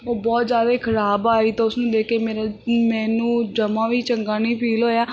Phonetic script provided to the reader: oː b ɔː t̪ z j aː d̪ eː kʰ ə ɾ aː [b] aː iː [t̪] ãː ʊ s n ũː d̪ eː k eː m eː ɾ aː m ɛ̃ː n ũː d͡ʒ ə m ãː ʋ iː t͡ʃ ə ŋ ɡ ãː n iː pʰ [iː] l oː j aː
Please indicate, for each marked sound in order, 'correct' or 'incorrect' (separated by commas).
correct, correct, correct